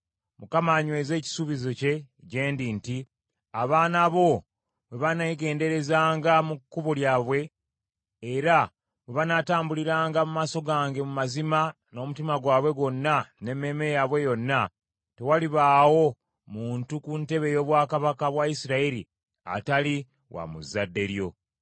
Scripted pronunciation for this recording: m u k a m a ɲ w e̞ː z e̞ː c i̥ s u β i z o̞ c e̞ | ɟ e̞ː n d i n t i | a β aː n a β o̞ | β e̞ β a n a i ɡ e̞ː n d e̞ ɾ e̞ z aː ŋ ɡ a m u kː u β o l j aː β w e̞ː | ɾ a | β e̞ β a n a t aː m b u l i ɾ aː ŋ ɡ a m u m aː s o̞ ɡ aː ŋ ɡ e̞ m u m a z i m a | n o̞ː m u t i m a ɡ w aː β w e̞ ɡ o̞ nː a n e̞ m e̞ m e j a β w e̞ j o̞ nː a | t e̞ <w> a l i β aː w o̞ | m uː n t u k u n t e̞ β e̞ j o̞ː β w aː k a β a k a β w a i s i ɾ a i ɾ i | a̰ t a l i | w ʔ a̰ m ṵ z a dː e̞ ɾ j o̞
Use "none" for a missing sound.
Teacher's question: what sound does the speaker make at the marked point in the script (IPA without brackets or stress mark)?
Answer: w